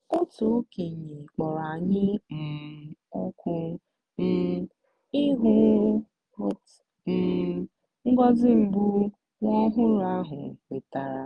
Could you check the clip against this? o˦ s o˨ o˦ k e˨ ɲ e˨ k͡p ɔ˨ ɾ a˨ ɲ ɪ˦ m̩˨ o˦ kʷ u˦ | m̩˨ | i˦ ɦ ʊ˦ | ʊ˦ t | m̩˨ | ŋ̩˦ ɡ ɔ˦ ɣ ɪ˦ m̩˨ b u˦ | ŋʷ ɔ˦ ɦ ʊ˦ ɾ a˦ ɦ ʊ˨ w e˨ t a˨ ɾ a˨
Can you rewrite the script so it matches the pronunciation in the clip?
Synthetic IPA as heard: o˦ t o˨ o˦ k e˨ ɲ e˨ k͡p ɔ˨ ɾ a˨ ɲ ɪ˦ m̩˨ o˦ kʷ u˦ | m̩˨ | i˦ ɦ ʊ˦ | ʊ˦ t | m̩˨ | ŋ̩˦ ɡ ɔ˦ z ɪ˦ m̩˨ b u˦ | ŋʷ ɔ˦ ɦ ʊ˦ ɾ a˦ ɦ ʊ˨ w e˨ t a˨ ɾ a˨